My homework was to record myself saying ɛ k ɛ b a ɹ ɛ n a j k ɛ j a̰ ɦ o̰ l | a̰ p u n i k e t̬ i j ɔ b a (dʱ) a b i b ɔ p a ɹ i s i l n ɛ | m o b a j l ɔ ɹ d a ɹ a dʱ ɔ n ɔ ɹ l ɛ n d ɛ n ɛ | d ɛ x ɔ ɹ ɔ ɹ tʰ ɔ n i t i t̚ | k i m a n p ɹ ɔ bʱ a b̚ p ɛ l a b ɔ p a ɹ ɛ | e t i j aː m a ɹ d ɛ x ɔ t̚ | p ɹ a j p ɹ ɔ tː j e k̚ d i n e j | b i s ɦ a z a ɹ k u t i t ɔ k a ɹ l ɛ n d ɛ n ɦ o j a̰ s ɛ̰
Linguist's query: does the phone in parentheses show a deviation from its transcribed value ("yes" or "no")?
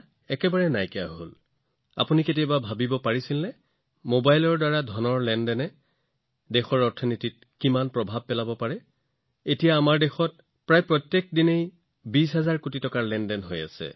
yes